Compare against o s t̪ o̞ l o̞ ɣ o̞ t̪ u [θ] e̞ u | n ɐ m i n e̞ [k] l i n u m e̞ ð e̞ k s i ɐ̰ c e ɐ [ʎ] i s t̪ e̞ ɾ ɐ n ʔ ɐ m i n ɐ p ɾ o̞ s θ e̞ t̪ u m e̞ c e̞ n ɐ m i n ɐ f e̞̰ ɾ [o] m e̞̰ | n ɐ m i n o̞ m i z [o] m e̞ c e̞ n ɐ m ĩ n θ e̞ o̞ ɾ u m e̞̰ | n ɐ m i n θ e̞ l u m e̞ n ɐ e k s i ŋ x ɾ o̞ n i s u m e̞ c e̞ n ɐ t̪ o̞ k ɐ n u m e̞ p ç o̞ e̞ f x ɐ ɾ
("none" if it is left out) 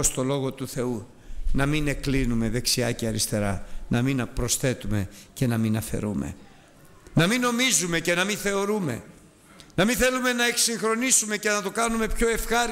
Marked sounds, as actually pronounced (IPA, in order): θ, k, ɾ, u, u

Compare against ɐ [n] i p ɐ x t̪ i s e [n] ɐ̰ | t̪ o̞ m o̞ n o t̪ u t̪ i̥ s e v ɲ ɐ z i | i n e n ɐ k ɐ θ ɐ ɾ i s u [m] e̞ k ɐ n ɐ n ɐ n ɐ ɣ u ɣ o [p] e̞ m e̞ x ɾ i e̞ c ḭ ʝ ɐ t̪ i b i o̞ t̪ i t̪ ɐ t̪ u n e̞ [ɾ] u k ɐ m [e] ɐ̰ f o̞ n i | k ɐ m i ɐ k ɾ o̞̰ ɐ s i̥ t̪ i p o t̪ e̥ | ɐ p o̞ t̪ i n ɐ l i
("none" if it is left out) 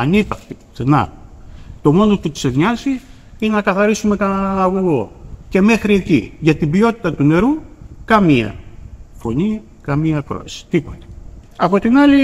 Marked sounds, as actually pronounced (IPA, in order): n, n, m, c, ɾ, i

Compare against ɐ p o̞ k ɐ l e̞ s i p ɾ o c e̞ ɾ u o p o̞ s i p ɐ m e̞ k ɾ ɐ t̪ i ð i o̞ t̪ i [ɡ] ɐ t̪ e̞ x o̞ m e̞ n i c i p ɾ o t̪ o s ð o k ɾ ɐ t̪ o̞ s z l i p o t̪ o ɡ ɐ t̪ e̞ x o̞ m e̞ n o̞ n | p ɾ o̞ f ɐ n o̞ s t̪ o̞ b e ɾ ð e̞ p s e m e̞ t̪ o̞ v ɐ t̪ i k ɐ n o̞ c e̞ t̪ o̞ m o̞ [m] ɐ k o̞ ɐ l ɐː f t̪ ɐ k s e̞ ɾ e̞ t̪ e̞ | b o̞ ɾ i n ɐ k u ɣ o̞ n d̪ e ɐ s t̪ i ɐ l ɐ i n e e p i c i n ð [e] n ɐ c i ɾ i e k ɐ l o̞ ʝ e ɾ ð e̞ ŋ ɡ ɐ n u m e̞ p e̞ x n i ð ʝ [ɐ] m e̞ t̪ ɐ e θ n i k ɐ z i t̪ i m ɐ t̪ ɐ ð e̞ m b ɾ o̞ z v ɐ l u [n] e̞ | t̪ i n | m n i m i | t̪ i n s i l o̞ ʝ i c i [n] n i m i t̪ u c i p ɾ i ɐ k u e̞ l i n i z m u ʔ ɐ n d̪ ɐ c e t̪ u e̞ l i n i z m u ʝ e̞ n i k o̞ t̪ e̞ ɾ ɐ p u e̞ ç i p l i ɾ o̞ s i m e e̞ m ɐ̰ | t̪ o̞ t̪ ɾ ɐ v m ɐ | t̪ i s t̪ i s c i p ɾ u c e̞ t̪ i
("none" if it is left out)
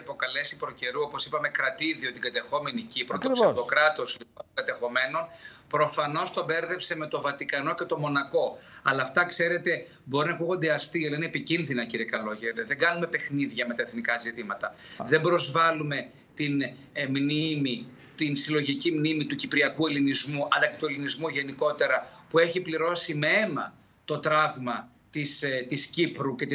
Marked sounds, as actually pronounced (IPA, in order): ɡ, n, i, ɐ, m, m

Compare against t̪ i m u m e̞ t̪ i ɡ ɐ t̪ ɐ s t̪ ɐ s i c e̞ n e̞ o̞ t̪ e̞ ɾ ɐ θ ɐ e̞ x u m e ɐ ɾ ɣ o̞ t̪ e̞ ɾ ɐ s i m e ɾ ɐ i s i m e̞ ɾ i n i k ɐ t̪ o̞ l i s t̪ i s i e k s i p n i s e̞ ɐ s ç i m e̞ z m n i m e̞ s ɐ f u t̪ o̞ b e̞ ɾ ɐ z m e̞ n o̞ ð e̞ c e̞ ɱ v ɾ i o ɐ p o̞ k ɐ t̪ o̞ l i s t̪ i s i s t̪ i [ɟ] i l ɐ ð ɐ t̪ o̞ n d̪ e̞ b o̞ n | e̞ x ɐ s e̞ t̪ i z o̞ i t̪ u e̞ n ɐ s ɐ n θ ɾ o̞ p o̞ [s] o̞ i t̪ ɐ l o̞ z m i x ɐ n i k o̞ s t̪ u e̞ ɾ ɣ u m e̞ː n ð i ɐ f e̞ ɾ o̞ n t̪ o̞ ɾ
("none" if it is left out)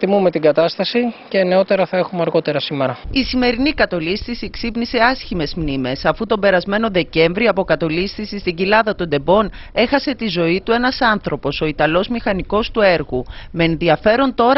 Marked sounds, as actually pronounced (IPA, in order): ɟ, s

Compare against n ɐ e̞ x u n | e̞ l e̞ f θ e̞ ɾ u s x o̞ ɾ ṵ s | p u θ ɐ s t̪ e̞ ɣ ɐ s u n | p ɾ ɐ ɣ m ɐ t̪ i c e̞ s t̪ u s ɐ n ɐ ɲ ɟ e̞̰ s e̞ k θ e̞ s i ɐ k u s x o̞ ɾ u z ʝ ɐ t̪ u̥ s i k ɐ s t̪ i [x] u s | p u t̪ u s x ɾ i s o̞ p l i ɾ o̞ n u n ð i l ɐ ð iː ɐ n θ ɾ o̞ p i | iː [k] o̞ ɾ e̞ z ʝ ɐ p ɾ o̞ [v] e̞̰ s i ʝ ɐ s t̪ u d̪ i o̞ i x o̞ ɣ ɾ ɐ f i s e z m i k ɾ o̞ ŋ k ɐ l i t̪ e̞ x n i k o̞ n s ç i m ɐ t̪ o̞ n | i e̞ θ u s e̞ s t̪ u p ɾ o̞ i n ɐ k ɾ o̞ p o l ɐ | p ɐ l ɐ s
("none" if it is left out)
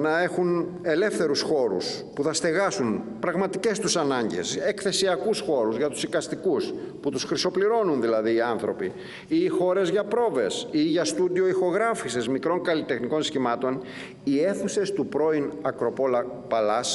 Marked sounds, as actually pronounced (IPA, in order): k, x, v

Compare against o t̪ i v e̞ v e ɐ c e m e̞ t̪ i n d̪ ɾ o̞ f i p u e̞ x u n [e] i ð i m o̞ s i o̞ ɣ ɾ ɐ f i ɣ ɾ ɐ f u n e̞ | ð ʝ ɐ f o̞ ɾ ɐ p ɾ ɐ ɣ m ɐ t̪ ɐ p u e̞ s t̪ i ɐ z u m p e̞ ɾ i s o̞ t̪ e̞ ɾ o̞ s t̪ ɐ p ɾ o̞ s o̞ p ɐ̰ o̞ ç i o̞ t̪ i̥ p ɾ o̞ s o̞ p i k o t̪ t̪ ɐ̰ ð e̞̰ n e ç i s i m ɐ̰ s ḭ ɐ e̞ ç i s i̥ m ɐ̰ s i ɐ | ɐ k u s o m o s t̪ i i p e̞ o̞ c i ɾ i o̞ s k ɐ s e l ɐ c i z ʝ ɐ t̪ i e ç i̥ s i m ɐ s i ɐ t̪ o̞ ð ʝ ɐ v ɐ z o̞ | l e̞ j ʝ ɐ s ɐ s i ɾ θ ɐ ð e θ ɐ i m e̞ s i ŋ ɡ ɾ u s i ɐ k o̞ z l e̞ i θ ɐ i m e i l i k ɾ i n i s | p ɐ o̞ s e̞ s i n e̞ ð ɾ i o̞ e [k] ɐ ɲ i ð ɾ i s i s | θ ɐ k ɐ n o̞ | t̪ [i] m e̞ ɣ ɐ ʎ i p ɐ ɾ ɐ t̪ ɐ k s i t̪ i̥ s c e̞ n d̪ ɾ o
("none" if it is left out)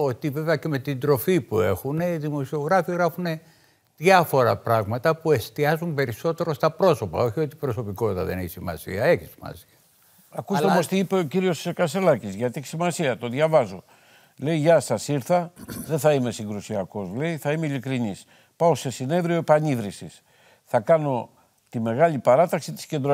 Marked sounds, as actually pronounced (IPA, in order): e, p, i

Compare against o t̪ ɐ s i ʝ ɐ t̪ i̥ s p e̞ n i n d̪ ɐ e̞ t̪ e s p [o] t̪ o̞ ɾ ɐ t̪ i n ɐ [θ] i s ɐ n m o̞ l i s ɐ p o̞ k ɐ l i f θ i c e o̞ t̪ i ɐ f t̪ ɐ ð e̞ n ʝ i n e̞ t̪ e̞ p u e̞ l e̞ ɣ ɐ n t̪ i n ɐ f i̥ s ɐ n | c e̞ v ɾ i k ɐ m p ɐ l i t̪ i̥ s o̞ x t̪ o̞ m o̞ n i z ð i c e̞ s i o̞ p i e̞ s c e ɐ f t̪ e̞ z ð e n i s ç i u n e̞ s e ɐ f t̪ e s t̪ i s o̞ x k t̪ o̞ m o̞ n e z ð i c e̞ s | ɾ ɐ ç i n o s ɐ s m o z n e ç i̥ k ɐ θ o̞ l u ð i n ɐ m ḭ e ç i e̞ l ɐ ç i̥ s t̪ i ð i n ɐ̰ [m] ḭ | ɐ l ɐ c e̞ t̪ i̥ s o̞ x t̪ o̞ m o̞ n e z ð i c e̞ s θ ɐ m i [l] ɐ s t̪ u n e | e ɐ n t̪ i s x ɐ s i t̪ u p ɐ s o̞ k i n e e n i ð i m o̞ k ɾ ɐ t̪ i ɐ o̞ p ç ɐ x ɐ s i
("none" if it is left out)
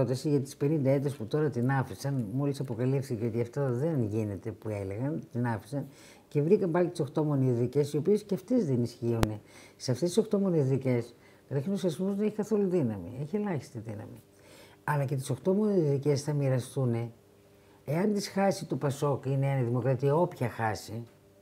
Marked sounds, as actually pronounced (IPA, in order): u, f, m, ɾ

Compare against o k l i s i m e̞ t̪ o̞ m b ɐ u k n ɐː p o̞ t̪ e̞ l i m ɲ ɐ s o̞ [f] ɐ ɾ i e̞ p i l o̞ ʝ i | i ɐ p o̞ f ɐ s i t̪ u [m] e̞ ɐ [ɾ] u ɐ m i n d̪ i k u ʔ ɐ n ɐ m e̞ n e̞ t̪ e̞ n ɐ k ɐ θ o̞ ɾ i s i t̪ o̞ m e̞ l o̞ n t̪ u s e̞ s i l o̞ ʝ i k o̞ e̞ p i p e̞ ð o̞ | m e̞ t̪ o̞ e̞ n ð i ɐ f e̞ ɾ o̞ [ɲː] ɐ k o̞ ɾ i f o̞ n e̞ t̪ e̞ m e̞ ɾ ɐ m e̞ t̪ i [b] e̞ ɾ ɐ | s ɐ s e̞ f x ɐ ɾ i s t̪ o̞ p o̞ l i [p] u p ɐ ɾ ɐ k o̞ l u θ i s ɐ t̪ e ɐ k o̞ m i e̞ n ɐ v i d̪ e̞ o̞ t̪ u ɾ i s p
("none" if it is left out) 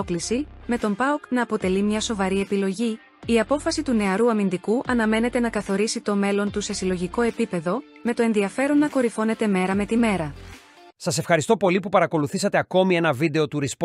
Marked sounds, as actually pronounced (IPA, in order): v, n, ɾ, nː, m, p

